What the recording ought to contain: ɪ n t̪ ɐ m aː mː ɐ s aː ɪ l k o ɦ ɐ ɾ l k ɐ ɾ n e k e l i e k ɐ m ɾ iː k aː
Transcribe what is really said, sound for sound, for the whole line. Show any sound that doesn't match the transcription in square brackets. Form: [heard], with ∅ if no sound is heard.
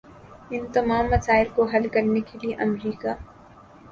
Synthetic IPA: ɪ n t̪ ɐ m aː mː ɐ s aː ɪ l k o ɦ ɐ [∅] l k ɐ ɾ n e k e l i e [ʔ] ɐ m ɾ iː k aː

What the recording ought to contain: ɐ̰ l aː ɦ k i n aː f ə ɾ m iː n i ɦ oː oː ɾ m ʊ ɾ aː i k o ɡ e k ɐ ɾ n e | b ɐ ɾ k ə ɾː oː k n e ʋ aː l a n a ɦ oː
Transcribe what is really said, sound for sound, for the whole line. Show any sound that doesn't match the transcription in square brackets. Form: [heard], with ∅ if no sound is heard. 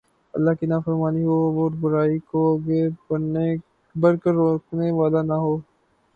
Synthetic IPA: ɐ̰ [lː] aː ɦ k i n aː f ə ɾ m [aː] n i ɦ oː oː ɾ [b] ʊ ɾ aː i k o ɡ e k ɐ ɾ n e | b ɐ ɾ k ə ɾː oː k n e ʋ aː l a n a ɦ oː

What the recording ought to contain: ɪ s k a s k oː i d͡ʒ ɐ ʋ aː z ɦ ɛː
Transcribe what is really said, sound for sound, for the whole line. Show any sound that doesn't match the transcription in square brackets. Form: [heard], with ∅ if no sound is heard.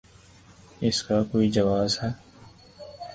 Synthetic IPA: ɪ s k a [∅] k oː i d͡ʒ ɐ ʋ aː z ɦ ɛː

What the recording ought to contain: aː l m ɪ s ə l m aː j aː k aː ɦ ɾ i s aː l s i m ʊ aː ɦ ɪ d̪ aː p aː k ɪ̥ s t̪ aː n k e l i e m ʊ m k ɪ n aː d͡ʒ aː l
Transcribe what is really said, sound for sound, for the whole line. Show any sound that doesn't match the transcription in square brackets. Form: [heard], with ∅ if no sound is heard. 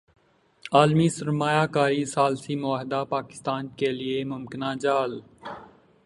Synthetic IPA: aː l m [i] s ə [ɾ] m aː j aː k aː [∅] ɾ i s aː l s i m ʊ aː ɦ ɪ d̪ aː p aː k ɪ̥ s t̪ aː n k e l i e m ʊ m k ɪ n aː d͡ʒ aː l

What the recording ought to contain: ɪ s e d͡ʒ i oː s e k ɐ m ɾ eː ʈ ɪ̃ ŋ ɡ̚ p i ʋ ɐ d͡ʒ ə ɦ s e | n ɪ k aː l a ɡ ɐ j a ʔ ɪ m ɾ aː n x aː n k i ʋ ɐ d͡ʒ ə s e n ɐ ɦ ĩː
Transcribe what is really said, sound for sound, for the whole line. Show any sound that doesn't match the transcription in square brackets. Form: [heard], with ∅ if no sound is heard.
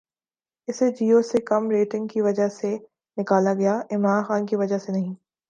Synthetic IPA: ɪ s e d͡ʒ [iː] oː s e k ɐ m ɾ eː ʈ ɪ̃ ŋ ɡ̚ [k] i ʋ ɐ d͡ʒ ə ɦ s e | n ɪ k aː l a ɡ ɐ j a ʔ ɪ m ɾ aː n x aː n k i ʋ ɐ d͡ʒ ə s e n ɐ ɦ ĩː

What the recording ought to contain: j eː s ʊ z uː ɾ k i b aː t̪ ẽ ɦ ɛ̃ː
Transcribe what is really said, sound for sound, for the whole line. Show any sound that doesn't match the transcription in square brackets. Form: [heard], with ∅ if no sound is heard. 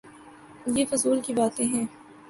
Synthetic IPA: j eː [f] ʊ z uː [l] k i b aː t̪ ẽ ɦ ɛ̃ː

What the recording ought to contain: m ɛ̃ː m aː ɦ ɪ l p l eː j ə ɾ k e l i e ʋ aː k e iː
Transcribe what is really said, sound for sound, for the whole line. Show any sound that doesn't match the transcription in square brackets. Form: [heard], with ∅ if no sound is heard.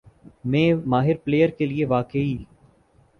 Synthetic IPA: m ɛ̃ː m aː ɦ ɪ [ɾ] p l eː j ə ɾ k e l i e ʋ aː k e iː

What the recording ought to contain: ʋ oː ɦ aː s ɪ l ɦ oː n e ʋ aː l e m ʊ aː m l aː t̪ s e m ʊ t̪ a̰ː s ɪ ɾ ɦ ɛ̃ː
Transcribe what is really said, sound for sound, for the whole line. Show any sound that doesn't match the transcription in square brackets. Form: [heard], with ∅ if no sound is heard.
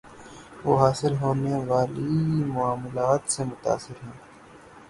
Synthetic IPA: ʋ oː ɦ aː s ɪ l ɦ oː n e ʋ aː l [i] m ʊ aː m l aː t̪ s e m ʊ t̪ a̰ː s ɪ ɾ ɦ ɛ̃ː

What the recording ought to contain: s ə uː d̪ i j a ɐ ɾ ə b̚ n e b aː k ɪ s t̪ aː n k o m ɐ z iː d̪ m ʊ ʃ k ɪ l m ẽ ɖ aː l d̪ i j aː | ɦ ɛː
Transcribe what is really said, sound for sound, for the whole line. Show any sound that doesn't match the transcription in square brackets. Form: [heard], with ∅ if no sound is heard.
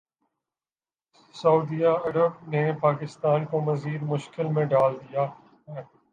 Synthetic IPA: s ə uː d̪ i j a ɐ ɾ ə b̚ n e [p] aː k ɪ s t̪ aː n k o m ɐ z iː d̪ m ʊ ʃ k ɪ l m ẽ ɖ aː l d̪ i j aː | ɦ ɛː

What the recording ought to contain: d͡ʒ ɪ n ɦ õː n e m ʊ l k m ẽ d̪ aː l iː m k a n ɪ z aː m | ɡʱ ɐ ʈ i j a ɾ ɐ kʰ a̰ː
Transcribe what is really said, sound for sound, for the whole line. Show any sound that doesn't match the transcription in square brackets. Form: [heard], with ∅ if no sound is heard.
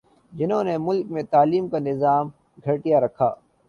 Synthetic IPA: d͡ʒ ɪ n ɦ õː n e m ʊ l k m ẽ [t̪] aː l iː m k a n ɪ z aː m | ɡʱ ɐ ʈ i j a ɾ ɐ kʰ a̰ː

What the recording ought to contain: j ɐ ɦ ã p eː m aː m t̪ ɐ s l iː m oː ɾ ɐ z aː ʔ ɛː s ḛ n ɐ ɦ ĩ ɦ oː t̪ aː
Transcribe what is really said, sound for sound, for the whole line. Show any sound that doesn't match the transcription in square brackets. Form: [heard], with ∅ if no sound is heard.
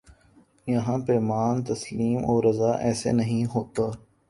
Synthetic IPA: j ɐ ɦ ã p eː m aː [n] t̪ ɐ s l iː m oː ɾ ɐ z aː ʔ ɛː s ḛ n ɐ ɦ ĩ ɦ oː t̪ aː

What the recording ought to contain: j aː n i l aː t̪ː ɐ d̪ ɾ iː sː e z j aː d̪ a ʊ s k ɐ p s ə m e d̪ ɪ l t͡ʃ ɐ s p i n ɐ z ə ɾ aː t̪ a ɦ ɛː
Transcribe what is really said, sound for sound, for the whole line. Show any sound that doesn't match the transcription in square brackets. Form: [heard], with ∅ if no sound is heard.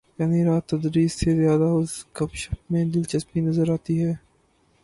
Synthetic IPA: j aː n i [ɾ] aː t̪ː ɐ d̪ ɾ iː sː e z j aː d̪ a ʊ s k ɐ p [ʃ] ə m [ẽ] d̪ ɪ l t͡ʃ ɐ s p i n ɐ z ə ɾ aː t̪ [i] ɦ ɛː

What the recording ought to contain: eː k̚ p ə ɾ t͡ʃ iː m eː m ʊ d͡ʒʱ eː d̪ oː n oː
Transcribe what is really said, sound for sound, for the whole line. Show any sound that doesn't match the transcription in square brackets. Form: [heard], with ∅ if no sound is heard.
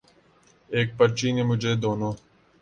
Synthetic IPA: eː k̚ p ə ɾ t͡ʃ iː [n] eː m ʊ d͡ʒʱ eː d̪ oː n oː

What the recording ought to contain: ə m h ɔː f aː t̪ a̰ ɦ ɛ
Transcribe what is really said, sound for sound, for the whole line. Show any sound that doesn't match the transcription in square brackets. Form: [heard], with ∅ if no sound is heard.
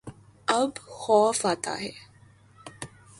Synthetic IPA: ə [b] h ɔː f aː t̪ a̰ ɦ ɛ

